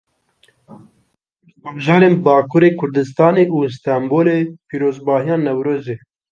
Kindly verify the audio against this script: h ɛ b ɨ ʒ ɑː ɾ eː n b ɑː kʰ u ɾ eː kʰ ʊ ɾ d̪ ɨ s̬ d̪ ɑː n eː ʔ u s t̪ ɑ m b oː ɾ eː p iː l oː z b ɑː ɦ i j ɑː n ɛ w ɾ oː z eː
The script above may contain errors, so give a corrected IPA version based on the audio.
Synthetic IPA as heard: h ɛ b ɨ ʒ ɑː ɾ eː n b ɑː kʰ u ɾ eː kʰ ʊ ɾ d̪ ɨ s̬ t̪ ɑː n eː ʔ u s t̪ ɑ m b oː l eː p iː ɾ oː z b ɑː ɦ i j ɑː n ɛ w ɾ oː z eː

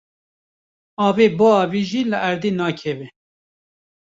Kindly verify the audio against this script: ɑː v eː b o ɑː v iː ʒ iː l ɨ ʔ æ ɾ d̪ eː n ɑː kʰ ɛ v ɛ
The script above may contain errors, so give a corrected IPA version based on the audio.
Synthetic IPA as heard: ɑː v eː b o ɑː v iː ʒ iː l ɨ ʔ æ ɾ d̪ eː n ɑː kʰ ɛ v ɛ

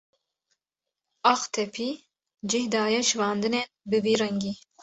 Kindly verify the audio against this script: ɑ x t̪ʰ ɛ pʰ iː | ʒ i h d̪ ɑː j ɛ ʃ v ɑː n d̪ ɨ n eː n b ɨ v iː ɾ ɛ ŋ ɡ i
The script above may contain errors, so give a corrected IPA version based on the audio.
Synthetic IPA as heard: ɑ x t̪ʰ ɛ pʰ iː | d͡ʒ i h d̪ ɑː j ɛ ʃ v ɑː n d̪ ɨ n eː n b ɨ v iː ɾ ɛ ŋ ɡ i

